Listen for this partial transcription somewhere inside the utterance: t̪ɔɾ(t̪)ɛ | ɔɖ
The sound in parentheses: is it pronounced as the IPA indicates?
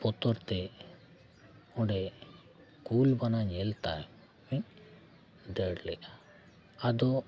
yes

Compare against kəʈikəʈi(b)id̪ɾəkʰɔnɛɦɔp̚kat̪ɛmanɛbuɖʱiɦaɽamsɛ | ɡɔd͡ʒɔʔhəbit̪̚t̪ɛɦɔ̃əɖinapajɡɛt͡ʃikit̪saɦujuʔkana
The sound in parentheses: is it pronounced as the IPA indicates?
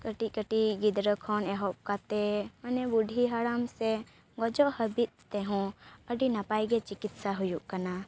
no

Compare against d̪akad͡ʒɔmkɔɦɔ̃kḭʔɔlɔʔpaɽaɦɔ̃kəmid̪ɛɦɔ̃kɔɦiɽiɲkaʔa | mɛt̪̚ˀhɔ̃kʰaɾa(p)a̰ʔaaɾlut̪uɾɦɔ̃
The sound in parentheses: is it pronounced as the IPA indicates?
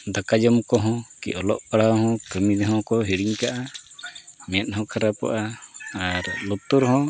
yes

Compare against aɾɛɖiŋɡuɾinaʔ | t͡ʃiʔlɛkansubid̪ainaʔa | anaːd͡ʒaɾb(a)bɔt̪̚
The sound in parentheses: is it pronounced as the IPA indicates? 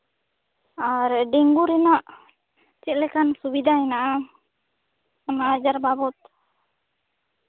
yes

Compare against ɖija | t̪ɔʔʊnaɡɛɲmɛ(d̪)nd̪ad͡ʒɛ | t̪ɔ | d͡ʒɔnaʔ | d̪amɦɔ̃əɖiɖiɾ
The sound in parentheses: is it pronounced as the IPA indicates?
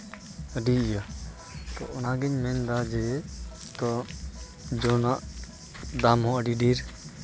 no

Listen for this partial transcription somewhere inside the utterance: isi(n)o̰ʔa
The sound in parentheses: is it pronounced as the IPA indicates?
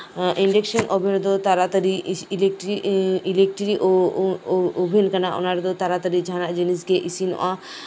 yes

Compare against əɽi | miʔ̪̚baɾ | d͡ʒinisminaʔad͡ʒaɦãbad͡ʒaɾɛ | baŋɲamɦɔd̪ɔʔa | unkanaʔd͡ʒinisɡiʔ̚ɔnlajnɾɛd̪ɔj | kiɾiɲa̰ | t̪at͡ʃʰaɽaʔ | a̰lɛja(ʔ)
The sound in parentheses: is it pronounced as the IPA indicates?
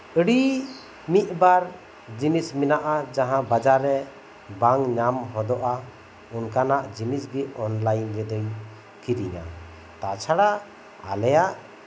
yes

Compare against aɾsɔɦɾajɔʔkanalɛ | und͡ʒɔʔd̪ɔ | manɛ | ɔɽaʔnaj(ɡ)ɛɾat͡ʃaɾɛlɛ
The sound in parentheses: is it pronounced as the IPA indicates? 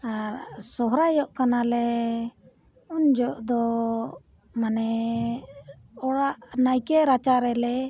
no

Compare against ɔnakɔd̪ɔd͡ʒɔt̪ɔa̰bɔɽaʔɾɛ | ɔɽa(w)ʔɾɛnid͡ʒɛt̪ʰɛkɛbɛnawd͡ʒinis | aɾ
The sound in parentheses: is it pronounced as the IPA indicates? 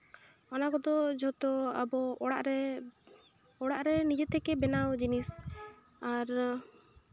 no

